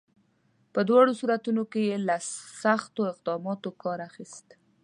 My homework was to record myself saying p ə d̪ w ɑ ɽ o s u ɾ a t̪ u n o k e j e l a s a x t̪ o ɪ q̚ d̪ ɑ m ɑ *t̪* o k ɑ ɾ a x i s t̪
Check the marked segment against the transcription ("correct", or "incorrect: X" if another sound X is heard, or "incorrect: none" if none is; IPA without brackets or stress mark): correct